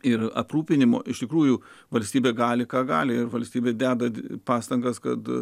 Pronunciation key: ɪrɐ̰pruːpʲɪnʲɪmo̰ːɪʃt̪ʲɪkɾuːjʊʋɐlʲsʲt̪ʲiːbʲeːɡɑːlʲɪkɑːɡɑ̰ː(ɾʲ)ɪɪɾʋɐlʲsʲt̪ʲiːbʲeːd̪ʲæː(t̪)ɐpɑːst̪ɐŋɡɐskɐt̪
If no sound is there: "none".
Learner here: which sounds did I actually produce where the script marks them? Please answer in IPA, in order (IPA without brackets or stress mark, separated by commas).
lʲ, d̪